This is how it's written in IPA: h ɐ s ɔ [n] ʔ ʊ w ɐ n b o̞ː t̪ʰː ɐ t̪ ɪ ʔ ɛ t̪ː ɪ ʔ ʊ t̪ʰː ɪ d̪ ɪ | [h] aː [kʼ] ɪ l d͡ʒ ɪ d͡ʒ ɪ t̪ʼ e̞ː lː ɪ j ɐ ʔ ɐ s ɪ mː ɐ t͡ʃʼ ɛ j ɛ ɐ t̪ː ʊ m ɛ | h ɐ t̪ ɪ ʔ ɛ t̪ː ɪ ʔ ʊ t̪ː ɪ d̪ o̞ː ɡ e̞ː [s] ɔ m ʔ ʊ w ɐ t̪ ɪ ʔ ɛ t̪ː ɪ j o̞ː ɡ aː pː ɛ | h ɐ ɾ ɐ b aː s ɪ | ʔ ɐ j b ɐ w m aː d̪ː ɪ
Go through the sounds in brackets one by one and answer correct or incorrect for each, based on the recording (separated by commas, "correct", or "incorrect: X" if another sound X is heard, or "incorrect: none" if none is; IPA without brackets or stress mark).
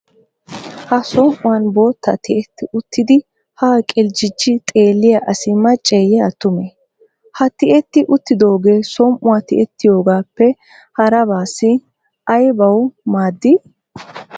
incorrect: m, correct, correct, correct